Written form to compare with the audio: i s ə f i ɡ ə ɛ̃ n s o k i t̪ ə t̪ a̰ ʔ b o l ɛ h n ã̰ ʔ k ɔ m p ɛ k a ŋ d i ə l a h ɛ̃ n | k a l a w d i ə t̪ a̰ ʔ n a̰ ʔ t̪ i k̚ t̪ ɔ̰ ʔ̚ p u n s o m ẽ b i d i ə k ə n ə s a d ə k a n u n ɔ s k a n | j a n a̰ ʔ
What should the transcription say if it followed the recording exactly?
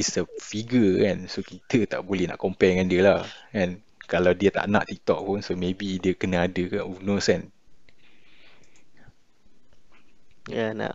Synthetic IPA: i s ə f i ɡ ə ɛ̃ n s o k i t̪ ə t̪ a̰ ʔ b o l ɛ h n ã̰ ʔ k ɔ m p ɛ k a n d i ə l a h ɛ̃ n | k a l a w d i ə t̪ a̰ ʔ n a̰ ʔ t̪ i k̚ t̪ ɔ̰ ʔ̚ p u n s o m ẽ b i d i ə k ə n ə a d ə k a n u n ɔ s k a n | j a n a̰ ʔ